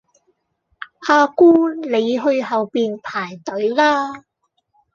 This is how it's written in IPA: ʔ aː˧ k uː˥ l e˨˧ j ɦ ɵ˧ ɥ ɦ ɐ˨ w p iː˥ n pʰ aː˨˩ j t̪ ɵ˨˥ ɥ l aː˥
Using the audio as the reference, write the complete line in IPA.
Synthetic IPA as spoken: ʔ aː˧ k uː˥ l e˨˧ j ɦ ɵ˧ ɥ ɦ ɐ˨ w p iː˨ n pʰ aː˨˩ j t̪ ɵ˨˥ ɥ l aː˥